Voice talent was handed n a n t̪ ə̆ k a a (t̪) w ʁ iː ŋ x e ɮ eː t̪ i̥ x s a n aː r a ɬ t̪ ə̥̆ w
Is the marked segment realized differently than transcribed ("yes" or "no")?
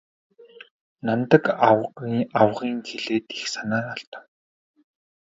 yes